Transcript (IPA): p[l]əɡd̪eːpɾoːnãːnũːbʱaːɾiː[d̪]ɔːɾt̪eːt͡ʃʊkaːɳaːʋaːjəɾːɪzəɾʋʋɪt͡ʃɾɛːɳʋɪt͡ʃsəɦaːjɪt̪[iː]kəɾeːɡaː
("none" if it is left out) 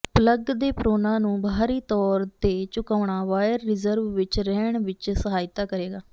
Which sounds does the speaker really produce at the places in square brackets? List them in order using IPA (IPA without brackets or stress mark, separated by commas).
l, t̪, aː